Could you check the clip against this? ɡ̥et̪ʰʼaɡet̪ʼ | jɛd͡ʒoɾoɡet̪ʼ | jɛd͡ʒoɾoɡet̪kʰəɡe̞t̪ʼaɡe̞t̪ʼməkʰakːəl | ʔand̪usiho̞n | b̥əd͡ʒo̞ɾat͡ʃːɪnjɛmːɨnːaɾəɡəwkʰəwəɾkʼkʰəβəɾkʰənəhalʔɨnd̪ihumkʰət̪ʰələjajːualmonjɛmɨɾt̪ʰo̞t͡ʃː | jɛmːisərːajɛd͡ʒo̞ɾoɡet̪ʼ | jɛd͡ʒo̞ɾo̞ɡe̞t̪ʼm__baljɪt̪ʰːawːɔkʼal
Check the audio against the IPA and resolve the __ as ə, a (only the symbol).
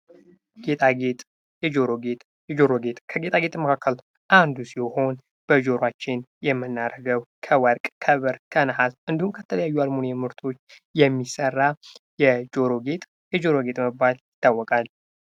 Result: ə